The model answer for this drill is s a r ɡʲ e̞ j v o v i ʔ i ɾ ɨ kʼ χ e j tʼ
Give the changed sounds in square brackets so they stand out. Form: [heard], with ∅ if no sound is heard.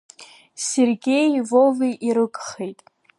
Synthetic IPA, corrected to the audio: s [e] r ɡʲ e̞ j v o v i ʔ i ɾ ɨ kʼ χ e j tʼ

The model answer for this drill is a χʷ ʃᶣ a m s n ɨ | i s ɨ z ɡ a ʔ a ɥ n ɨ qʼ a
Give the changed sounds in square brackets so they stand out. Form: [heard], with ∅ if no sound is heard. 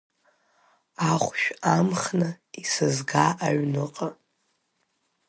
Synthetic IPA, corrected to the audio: a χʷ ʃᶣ a m [χ] n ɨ | i s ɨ z ɡ a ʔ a ɥ n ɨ qʼ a

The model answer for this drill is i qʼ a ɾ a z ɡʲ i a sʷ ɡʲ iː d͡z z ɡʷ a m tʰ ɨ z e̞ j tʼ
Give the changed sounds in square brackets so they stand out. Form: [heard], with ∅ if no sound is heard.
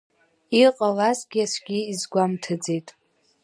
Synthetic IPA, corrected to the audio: i qʼ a [l] a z ɡʲ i a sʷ ɡʲ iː [∅] z ɡʷ a m tʰ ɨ [d͡z] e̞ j tʼ

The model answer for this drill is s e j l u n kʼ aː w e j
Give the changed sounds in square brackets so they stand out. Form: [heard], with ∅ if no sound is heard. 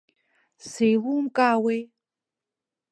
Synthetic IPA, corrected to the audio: s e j l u [m] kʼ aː w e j

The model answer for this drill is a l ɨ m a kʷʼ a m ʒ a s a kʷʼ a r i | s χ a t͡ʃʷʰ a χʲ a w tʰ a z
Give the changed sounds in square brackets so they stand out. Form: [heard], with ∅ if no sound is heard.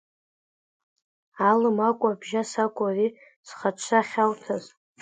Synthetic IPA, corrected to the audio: a l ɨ m a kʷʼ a [b] ʒ a s a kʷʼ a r i | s χ a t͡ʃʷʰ a χʲ a w tʰ a z

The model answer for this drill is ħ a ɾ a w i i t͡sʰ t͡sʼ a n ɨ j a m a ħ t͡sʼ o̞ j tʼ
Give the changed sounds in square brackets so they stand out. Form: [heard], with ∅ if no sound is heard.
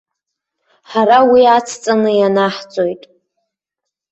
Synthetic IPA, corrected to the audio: ħ a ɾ a w i [a] t͡sʰ t͡sʼ a n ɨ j a [n] a ħ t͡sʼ o̞ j tʼ

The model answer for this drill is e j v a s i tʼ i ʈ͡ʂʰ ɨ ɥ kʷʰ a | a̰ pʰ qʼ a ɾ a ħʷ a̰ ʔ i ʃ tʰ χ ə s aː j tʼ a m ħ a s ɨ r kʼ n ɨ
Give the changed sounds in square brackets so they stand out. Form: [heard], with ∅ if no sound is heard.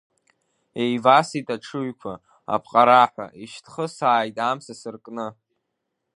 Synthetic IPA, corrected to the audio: e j v a s i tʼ [a] ʈ͡ʂʰ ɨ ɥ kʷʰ a | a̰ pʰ qʼ a ɾ a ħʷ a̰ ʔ i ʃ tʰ χ ə s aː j tʼ a m [s] a s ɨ r kʼ n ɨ

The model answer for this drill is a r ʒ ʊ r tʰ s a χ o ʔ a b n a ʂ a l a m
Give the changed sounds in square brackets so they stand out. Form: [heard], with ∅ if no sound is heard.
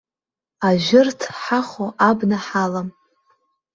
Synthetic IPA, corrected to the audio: a [∅] ʒ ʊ r tʰ [ħ] a χ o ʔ a b n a [ħ] a l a m

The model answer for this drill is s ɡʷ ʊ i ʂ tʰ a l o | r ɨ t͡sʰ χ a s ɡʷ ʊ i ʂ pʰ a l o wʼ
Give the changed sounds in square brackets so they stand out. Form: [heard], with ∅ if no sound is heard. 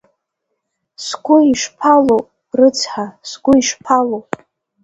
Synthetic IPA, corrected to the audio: s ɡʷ ʊ i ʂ [pʰ] a l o | r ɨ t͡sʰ [ħ] a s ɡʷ ʊ i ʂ pʰ a l o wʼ

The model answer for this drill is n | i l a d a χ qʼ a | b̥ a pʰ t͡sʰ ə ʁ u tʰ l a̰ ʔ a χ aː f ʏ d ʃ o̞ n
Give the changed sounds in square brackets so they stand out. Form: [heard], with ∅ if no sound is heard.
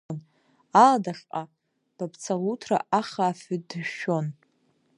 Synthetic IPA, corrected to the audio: n | [a] l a d a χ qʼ a | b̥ a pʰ t͡sʰ [a] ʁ u tʰ [r] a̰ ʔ a χ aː f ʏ d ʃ o̞ n

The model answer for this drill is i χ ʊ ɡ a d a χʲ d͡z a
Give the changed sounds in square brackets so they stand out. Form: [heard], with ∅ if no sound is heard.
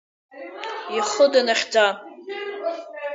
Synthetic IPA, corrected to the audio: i χ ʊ [d] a [n] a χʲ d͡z a

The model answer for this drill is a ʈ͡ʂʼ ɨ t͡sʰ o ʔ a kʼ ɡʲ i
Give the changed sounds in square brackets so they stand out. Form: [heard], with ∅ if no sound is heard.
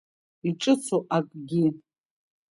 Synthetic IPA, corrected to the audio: [i] ʈ͡ʂʼ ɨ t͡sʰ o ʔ a kʼ ɡʲ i

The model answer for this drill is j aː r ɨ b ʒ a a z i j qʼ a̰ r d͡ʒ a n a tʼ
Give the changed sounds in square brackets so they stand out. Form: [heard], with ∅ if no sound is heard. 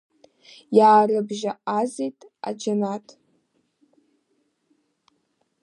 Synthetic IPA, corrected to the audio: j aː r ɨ b ʒ a a z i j [tʼ] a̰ [∅] d͡ʒ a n a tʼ

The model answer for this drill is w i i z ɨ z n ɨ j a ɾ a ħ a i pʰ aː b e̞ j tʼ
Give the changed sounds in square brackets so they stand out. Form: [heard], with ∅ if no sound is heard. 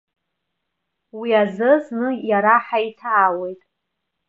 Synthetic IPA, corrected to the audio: w i [a] z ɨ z n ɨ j a ɾ a ħ a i [tʰ] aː [w] e̞ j tʼ

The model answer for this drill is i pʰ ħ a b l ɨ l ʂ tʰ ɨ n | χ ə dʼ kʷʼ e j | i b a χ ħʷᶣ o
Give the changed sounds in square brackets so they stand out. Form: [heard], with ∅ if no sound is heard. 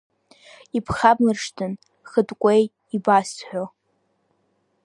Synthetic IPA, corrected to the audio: i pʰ [χ] a b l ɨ [r] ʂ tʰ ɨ n | χ ə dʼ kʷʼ e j | i b a [s] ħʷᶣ o

